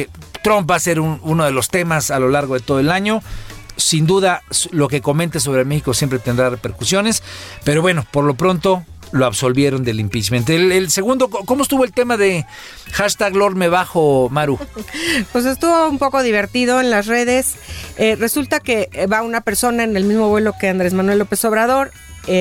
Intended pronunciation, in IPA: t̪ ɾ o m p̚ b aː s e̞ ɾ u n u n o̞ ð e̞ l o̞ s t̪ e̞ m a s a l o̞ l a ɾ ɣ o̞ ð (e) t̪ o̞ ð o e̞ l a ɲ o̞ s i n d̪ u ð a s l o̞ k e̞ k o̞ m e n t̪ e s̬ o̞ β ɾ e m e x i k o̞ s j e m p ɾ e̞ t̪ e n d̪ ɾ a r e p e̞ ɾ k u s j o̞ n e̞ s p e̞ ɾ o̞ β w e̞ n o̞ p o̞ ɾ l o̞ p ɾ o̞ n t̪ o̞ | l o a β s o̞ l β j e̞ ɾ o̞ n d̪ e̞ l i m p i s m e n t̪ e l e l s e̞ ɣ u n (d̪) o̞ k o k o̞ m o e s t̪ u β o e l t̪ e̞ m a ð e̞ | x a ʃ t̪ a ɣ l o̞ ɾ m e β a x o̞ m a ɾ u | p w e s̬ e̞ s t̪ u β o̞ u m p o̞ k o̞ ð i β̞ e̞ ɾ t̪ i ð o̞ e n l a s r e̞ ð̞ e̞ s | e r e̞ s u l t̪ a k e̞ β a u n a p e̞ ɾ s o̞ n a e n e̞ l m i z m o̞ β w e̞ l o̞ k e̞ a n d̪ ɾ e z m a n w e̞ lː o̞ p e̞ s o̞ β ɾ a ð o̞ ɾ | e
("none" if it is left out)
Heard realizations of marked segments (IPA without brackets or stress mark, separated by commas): e, d̪